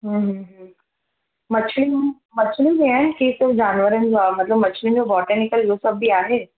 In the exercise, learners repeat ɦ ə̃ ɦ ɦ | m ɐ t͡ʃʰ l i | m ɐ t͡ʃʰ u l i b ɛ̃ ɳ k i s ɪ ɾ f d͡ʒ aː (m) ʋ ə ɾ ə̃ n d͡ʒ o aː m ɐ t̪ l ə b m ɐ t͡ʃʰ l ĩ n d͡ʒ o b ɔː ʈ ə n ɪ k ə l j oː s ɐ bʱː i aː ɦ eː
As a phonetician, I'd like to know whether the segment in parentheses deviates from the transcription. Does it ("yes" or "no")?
yes